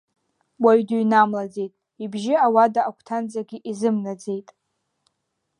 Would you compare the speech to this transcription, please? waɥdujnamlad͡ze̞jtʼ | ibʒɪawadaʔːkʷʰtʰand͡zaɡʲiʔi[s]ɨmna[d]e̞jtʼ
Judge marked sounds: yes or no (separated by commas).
no, no